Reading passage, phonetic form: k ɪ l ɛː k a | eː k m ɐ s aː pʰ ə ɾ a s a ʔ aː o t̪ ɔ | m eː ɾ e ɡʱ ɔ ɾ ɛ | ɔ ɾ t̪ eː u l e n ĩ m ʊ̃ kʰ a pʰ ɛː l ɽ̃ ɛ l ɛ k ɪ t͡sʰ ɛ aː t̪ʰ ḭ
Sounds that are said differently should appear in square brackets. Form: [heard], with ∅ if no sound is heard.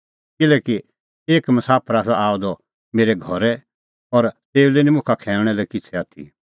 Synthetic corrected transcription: k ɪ l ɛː k [i] | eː k m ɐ s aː pʰ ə ɾ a s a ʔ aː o [d̪] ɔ | m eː ɾ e ɡʱ ɔ ɾ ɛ | ɔ ɾ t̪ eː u l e n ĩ m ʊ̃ kʰ a [kʰ] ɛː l ɽ̃ ɛ l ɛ k ɪ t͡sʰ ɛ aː t̪ʰ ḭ